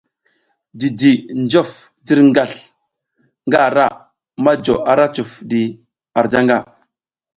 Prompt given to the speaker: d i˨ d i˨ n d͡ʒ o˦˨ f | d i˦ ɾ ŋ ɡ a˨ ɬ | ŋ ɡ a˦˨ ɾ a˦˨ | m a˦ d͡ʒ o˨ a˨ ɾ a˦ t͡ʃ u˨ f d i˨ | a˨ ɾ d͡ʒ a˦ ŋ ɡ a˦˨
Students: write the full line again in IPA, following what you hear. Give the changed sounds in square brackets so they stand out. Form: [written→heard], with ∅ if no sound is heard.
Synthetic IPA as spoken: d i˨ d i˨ n d͡ʒ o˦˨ f | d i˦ ɾ ŋ ɡ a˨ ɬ | ŋ ɡ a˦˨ ɾ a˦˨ | m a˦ d͡ʒ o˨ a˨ ɾ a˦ t͡ʃ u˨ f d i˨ | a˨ ɾ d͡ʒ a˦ ŋ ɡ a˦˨